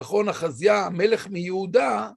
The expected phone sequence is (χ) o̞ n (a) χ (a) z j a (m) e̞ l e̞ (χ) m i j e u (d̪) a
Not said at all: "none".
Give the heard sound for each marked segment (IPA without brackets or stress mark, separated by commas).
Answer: χ, a, a, m, χ, d̪